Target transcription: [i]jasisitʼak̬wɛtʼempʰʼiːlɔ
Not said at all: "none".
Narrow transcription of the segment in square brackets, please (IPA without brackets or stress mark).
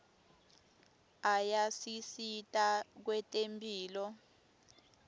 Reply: a